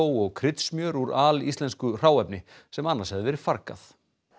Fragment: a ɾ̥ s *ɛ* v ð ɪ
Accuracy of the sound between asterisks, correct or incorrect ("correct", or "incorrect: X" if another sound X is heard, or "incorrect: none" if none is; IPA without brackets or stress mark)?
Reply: correct